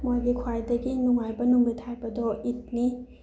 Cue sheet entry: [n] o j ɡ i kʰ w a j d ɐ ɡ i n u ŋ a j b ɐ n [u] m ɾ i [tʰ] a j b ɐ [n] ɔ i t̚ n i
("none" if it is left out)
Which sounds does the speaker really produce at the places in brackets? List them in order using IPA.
m, u, tʰ, d

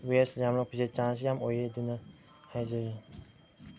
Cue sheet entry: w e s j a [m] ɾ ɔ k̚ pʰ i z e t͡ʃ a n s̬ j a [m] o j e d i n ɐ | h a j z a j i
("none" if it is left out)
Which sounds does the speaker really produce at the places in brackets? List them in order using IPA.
m, m

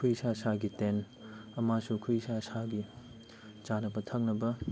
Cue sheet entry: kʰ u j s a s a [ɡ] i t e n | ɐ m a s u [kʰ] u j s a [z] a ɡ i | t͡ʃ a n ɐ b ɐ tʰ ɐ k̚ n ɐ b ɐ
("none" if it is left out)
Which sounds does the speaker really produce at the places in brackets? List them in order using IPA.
ɡ, kʰ, s

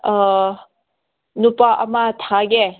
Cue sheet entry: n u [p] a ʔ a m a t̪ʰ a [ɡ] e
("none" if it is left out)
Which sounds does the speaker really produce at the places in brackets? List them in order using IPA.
p, ɡ

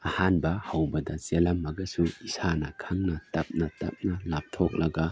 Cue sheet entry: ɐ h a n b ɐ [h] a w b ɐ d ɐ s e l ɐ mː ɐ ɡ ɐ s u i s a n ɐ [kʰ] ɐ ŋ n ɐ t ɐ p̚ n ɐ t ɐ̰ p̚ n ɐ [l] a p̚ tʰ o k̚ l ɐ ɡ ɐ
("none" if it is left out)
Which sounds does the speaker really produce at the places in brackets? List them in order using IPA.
h, kʰ, l

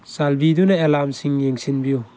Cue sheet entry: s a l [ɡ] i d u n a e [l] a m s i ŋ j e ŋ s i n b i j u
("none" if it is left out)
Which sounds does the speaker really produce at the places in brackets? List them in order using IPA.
b, l

